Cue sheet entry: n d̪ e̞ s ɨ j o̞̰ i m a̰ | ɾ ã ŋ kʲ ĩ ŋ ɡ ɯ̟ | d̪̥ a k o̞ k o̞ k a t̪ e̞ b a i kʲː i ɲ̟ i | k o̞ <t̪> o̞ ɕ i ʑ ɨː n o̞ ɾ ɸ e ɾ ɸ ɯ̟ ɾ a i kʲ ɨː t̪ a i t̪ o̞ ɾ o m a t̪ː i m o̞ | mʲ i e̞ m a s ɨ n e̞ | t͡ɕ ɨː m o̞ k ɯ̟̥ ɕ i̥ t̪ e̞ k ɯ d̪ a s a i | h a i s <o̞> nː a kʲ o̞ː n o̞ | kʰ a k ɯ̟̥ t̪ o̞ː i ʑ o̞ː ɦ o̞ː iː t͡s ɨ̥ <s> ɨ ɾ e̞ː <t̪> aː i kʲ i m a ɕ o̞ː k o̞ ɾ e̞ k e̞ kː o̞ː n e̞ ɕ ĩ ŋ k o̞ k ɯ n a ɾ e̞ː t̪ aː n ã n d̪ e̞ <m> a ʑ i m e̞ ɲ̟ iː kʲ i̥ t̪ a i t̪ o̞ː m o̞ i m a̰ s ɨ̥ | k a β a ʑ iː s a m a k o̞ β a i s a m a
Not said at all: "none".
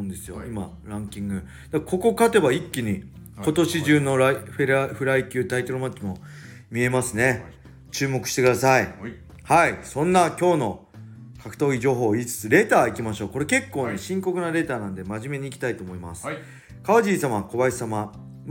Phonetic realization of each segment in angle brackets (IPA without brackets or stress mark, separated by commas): t̪, õ̞, t͡s, t̪, m